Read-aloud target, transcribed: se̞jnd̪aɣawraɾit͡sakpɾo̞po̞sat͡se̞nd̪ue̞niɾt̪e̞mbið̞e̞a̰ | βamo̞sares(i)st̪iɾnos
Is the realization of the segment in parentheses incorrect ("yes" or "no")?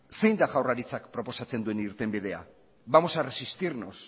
no